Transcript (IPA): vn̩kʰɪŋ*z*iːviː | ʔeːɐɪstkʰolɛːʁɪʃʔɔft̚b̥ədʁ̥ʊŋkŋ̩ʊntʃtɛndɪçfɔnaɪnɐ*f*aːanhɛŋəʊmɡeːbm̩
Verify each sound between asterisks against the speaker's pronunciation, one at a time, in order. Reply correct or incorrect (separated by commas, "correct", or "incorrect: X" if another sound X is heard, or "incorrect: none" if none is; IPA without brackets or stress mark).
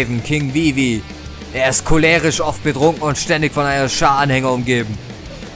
incorrect: v, incorrect: ʃ